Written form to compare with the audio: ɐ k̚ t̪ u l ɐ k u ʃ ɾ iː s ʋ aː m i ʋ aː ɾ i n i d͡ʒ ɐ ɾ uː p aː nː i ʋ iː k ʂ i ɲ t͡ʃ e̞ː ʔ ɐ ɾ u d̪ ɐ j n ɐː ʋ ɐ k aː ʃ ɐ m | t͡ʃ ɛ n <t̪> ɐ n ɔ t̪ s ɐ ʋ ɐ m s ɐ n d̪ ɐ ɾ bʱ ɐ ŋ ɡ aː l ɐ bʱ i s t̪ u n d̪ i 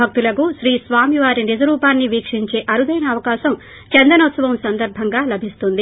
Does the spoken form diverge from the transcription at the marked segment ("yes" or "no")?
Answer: yes